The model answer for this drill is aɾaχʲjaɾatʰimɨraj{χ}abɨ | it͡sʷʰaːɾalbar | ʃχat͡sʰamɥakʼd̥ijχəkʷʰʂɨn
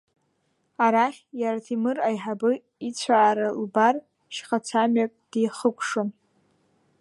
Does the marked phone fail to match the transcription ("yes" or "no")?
yes